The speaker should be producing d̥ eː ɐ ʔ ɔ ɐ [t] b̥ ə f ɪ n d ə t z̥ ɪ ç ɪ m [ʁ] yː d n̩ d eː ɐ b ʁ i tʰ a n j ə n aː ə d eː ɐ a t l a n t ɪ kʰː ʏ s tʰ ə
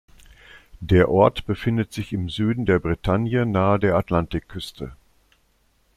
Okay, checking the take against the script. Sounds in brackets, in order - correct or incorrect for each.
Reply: correct, incorrect: z

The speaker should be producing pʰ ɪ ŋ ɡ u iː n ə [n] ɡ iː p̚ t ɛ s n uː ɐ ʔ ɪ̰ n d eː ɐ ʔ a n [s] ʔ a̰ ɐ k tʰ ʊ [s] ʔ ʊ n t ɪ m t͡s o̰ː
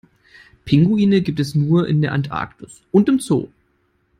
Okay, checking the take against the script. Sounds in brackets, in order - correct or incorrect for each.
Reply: incorrect: none, incorrect: t, correct

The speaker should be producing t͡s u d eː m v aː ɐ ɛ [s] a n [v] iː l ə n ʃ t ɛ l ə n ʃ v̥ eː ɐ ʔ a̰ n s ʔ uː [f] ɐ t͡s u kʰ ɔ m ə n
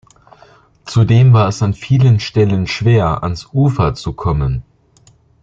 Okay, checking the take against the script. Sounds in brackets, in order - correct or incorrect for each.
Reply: correct, incorrect: f, correct

